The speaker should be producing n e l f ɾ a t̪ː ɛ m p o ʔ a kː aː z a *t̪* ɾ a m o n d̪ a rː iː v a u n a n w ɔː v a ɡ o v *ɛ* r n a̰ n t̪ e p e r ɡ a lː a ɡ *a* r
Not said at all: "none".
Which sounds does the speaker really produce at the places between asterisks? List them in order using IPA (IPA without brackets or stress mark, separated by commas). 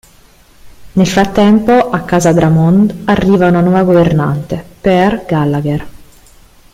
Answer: d̪, e, e